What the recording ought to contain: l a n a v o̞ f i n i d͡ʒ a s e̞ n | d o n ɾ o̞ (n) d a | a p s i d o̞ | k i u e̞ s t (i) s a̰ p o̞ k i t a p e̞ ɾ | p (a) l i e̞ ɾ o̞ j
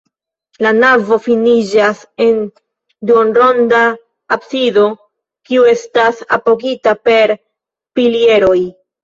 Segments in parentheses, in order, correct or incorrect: correct, incorrect: a, incorrect: i

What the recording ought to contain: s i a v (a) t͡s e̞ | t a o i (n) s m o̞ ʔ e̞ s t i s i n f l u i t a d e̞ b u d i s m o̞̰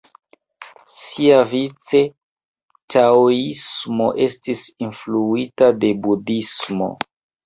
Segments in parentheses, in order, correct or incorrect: incorrect: i, incorrect: none

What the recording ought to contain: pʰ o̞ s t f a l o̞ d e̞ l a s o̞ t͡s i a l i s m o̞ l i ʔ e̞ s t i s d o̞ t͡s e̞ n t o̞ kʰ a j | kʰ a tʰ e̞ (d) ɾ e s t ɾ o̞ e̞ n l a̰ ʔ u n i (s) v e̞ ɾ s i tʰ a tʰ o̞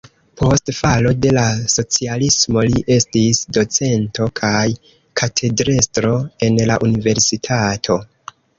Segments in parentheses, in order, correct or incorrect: correct, incorrect: none

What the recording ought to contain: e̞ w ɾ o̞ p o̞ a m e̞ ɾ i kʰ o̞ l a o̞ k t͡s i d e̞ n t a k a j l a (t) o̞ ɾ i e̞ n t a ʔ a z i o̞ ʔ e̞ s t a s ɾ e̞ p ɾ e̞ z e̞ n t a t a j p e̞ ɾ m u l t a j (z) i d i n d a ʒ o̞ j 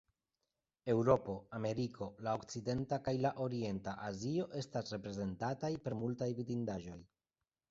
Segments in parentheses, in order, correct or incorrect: incorrect: ʔ, incorrect: v

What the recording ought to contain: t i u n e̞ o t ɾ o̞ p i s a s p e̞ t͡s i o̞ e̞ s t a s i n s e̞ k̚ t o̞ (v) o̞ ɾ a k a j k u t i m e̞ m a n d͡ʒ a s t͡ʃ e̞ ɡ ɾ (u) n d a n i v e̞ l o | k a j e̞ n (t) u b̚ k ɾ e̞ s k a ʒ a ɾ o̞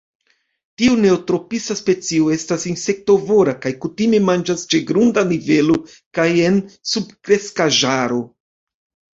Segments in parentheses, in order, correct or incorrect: correct, correct, incorrect: s

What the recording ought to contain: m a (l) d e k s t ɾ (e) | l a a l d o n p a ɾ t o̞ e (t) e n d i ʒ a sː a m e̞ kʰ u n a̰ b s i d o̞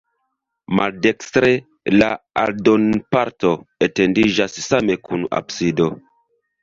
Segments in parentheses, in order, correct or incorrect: correct, correct, correct

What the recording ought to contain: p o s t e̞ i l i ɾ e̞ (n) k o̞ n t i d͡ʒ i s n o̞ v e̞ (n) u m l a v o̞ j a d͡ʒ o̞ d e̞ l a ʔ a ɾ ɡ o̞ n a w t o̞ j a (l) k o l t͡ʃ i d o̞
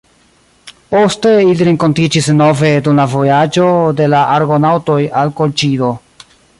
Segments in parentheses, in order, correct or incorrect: incorrect: ŋ, incorrect: d, correct

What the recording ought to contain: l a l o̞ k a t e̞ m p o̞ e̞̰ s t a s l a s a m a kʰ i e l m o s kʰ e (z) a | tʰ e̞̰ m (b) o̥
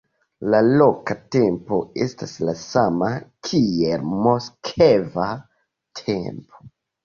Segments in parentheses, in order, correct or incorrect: incorrect: v, incorrect: p

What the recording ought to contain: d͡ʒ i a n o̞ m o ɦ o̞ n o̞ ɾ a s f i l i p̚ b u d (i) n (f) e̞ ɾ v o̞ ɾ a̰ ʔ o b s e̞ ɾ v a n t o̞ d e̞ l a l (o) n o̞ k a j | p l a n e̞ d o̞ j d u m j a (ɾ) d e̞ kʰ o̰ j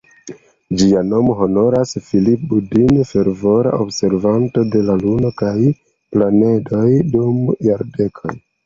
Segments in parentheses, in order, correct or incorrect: correct, correct, incorrect: u, correct

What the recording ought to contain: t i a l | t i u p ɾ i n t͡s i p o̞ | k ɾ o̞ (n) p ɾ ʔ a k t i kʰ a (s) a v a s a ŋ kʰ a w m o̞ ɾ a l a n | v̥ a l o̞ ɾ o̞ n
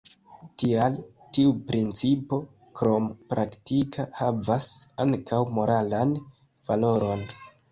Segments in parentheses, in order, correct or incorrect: incorrect: m, incorrect: h

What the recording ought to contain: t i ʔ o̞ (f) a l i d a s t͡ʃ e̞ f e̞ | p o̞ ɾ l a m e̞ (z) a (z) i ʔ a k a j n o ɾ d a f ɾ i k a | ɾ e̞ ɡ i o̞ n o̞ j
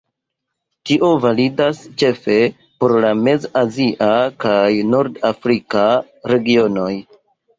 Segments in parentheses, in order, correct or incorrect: incorrect: v, correct, correct

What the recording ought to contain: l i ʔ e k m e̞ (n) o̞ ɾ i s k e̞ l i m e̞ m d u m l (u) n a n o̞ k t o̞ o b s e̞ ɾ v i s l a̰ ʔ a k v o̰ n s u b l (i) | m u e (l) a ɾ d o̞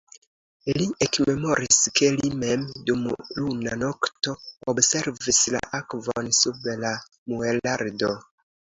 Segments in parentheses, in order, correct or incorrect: incorrect: m, correct, incorrect: a, correct

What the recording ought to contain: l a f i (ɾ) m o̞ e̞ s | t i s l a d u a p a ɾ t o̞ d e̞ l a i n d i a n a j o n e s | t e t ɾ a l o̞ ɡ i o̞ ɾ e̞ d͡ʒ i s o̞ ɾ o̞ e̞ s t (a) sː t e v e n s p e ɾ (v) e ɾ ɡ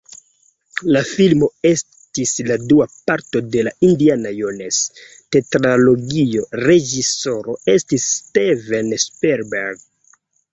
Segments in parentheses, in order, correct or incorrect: incorrect: l, incorrect: i, incorrect: b

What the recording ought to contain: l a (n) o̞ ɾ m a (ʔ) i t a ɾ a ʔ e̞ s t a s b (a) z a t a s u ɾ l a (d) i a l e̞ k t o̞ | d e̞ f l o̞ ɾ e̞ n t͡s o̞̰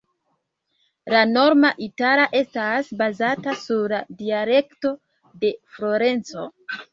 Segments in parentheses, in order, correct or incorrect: correct, correct, correct, correct

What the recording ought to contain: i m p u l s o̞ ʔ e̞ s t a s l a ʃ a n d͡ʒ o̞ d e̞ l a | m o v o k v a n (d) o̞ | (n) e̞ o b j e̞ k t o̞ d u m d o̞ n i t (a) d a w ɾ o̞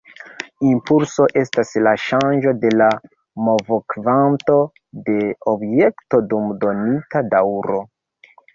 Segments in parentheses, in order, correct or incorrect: incorrect: t, incorrect: d, correct

